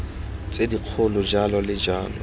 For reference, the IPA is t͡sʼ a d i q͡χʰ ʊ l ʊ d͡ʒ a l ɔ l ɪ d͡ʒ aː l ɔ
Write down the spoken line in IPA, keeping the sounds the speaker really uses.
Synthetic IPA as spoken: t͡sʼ e d i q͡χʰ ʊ l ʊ d͡ʒ a l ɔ l ɪ d͡ʒ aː l ɔ